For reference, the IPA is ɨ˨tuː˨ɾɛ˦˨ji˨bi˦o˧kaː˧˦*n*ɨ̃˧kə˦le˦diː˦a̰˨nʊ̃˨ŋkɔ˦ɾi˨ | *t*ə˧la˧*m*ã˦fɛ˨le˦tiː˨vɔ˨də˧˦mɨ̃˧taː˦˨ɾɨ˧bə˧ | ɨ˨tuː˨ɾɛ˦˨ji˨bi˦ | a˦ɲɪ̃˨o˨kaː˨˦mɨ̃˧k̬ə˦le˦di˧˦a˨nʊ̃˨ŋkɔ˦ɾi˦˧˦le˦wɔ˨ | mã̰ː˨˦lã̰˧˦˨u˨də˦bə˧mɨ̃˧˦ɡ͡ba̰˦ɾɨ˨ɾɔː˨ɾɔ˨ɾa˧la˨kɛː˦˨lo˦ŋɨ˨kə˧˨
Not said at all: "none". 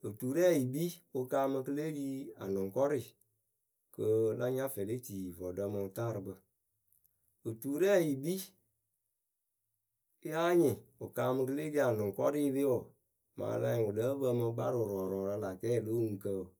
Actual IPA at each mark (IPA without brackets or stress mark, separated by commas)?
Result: m, k, ɲ